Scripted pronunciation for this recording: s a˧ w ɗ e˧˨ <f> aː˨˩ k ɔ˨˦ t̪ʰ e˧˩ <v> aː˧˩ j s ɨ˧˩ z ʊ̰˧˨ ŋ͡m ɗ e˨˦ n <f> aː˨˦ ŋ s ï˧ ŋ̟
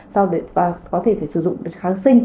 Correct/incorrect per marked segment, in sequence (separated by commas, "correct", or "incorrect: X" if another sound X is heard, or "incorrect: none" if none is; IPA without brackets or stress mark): incorrect: v, incorrect: f, incorrect: x